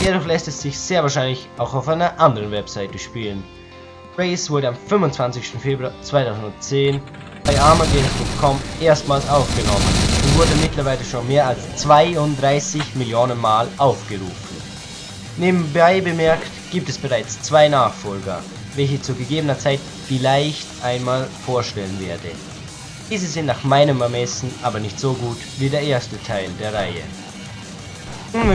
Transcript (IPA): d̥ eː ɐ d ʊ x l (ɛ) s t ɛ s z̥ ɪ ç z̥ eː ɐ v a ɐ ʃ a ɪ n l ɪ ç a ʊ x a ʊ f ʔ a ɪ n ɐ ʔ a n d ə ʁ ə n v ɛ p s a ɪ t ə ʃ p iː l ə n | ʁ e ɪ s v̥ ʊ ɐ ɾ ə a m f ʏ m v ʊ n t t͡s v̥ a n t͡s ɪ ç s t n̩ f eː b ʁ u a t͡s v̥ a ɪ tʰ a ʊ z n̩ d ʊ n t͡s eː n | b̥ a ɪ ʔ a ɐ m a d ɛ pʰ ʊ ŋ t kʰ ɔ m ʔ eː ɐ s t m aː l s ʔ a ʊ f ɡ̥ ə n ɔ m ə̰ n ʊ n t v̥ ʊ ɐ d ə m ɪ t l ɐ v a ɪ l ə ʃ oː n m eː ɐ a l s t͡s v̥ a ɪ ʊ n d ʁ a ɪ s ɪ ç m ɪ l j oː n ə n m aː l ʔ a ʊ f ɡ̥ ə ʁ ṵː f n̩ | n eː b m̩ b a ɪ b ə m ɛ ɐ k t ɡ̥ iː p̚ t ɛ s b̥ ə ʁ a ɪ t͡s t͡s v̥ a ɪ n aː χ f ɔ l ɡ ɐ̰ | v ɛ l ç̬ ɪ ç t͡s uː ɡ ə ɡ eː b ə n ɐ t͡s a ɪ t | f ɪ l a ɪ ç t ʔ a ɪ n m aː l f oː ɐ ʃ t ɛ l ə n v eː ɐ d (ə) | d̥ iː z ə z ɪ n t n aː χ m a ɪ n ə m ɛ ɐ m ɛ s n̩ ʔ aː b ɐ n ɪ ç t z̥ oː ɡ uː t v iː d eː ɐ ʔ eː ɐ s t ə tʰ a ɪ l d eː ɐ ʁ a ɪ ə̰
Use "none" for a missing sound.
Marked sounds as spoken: ɛ, ə

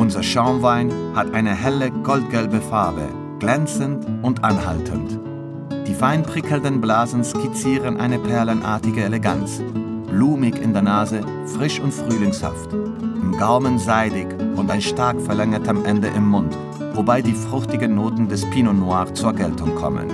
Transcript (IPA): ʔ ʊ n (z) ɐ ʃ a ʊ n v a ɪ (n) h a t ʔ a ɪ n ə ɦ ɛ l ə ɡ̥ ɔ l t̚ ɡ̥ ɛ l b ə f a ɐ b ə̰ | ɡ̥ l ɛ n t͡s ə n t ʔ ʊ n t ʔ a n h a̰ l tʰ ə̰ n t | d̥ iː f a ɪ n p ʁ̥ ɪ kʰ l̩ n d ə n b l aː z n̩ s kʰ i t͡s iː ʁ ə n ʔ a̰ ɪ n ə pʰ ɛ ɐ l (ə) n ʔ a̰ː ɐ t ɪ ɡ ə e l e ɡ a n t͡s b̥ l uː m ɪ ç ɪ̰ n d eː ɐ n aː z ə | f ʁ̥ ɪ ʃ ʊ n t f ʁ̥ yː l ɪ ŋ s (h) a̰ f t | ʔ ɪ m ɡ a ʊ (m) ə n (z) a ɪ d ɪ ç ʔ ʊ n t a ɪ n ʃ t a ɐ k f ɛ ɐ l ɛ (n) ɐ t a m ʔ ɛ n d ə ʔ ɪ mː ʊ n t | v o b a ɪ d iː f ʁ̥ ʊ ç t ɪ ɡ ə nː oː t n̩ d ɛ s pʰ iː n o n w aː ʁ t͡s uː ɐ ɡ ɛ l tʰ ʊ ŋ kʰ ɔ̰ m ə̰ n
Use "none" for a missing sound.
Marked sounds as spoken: z, n, ə, h, m, z, ŋ

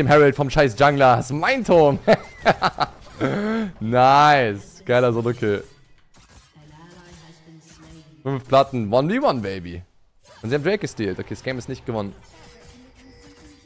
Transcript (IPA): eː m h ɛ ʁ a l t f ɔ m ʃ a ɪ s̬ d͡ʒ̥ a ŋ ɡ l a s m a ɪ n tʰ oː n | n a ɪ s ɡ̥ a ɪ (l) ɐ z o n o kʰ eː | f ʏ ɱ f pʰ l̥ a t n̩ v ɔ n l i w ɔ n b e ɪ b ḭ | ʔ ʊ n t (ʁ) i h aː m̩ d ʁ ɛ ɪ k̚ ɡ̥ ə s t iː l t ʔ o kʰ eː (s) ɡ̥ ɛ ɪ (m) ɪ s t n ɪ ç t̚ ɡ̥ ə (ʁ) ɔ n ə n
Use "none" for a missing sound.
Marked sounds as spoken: l, z, s, m, v

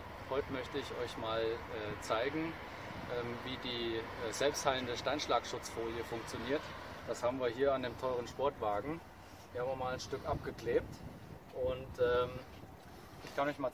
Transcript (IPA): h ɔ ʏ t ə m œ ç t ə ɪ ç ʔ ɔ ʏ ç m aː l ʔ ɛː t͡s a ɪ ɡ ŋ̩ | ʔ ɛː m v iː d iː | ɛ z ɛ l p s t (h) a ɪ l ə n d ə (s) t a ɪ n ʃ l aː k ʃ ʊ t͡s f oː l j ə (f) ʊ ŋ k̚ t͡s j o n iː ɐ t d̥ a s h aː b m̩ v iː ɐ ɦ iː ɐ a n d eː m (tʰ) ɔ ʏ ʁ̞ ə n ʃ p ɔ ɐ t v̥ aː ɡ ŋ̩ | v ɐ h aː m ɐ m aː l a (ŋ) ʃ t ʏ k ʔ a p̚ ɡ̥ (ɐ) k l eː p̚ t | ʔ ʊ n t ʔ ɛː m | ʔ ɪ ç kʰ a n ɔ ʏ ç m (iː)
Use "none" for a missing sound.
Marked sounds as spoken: h, ʃ, f, tʰ, n, ə, aː

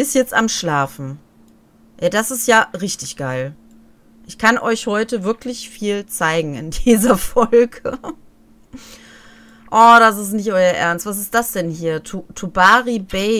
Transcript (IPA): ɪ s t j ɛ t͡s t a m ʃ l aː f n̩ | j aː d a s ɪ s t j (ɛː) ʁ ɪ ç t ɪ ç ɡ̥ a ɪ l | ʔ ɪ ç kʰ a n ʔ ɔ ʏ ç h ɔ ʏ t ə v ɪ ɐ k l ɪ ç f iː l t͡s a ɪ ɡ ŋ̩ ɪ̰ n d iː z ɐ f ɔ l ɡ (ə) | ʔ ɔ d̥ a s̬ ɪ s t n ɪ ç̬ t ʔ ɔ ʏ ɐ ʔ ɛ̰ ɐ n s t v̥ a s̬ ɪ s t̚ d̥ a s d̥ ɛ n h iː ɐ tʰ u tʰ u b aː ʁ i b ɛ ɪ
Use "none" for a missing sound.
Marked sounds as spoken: aː, ə

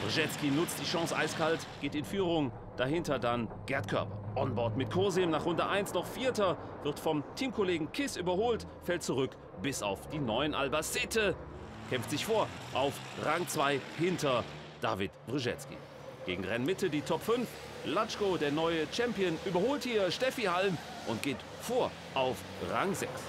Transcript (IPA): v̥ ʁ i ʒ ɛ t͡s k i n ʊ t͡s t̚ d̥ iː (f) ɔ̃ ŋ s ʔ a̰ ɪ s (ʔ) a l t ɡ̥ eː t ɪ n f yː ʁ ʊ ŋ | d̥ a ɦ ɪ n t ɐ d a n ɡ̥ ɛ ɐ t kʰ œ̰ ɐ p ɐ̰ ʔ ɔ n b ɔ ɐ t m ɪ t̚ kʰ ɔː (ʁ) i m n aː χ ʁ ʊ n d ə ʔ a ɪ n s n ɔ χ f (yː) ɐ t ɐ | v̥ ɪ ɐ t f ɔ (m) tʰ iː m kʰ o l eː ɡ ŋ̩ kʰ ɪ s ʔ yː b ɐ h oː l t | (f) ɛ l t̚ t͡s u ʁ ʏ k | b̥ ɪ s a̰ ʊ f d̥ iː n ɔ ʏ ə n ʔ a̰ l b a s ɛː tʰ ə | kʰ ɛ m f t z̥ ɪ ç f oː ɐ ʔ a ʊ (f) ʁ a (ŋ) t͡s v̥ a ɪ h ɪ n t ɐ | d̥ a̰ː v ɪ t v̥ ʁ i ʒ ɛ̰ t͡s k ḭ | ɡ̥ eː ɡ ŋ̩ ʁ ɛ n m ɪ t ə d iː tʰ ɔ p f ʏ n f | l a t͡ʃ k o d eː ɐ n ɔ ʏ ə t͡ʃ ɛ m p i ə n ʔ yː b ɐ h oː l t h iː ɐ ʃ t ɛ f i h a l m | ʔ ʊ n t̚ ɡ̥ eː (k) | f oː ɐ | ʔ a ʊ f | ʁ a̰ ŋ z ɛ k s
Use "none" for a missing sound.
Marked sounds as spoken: ʃ, k, z, iː, m, f, f, ŋ, t

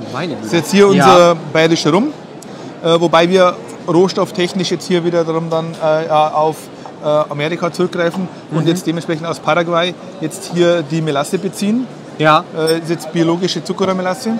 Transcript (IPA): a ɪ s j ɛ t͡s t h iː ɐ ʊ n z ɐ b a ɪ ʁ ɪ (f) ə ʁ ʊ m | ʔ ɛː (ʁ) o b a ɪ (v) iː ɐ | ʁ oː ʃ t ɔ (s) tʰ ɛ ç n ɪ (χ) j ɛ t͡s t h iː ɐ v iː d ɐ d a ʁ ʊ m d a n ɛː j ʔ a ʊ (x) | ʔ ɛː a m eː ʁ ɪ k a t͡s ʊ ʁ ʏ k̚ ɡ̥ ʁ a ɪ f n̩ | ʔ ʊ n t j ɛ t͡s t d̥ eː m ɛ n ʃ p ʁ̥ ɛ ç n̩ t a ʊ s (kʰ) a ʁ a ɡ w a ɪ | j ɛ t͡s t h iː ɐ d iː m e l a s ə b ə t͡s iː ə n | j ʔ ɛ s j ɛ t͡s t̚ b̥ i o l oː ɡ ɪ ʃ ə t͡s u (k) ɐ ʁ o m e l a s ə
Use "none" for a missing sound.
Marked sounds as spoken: ʃ, v, v, f, ʃ, f, pʰ, k

